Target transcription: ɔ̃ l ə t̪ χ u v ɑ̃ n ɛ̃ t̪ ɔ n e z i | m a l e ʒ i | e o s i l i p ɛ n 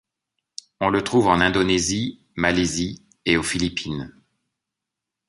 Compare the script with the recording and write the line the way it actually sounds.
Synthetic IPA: ɔ̃ l ə t̪ χ u v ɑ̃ n ɛ̃ d̪ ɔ n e z i | m a l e z i | e o f i l i p i n